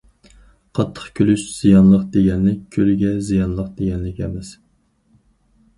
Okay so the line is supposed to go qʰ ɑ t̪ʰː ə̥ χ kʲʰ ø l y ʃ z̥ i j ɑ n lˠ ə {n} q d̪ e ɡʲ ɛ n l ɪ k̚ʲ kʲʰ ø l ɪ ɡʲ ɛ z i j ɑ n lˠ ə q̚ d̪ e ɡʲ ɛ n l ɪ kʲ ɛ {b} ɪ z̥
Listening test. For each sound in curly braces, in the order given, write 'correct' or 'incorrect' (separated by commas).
incorrect, incorrect